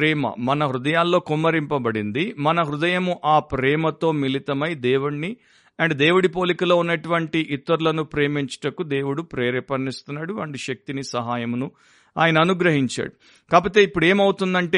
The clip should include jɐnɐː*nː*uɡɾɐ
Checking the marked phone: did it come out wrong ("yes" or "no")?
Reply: yes